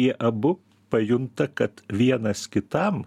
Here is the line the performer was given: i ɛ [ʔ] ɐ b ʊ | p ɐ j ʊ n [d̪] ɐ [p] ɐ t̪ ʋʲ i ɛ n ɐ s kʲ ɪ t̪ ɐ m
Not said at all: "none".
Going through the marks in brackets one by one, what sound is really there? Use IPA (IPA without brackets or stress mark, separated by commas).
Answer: ʔ, t̪, k